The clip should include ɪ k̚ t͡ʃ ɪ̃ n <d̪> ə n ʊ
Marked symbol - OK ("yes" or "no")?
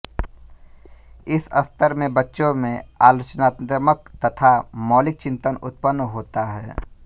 no